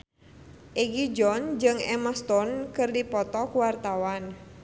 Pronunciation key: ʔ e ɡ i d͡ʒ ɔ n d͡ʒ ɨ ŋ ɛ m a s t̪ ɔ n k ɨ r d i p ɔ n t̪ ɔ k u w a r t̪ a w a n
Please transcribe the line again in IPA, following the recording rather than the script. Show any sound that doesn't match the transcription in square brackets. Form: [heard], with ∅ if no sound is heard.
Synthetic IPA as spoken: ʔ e ɡ i d͡ʒ ɔ n d͡ʒ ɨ ŋ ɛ m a s t̪ ɔ n k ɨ r d i p ɔ [∅] t̪ ɔ k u w a r t̪ a w a n